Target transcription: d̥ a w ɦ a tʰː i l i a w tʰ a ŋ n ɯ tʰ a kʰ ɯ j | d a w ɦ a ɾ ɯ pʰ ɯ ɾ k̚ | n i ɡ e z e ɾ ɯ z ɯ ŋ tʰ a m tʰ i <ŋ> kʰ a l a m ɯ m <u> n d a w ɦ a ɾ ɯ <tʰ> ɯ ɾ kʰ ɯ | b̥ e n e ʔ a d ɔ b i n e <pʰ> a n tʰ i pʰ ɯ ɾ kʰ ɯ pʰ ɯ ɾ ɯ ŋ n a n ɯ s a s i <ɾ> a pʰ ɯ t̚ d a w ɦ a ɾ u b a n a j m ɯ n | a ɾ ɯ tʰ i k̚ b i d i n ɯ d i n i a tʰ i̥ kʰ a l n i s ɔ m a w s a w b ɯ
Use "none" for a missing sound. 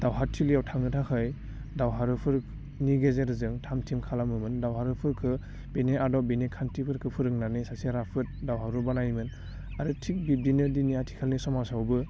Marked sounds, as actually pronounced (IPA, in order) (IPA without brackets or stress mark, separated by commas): m, ɯ, pʰ, kʰ, ɾ